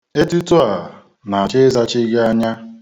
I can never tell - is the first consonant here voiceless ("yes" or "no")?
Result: yes